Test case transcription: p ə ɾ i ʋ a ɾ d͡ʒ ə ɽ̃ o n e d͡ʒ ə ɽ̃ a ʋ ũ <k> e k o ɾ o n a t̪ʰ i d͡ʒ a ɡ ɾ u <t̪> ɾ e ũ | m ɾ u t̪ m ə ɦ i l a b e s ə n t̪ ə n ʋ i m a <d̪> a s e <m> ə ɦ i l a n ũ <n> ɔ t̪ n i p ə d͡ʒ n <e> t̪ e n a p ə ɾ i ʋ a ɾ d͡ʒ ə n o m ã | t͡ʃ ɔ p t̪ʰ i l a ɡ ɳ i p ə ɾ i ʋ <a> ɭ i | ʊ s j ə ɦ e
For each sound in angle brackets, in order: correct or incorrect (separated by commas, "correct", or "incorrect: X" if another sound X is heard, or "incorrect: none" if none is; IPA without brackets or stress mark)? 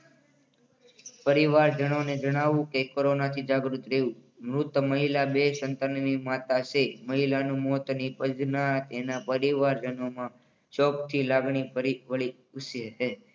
correct, correct, incorrect: t̪, correct, incorrect: m, incorrect: a, incorrect: ə